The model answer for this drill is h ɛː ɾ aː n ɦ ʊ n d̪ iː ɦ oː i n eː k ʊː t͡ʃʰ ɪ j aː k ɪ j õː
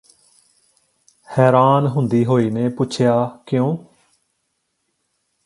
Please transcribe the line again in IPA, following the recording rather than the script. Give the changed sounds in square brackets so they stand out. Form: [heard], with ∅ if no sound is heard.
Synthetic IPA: h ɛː ɾ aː n ɦ ʊ n d̪ iː ɦ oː [iː] n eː [p] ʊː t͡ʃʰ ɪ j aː k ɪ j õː